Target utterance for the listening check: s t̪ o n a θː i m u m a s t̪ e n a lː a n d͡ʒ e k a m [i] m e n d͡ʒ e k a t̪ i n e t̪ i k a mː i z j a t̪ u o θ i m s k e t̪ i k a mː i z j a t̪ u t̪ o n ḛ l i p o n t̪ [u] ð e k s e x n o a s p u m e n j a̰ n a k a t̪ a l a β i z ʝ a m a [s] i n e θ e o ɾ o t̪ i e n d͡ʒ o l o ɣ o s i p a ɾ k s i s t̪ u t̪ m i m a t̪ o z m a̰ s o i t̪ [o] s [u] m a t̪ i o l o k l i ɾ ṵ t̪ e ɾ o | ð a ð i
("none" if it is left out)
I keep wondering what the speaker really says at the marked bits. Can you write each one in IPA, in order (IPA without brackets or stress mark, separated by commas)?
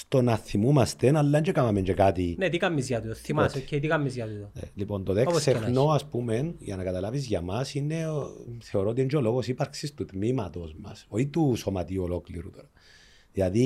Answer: a, o, s, u, o